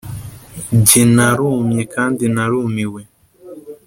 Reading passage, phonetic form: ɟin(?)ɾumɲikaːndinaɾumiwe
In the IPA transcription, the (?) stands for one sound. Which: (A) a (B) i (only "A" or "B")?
A